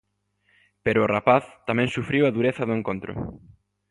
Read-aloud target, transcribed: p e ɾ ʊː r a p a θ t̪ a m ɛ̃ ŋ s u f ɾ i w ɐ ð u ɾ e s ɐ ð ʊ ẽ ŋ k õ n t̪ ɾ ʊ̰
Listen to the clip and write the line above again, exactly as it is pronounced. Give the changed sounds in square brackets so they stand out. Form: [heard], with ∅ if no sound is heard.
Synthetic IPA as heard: p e ɾ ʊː r a p a θ t̪ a m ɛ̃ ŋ s u f ɾ i w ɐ ð u ɾ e [θ] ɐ ð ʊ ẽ ŋ k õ n t̪ ɾ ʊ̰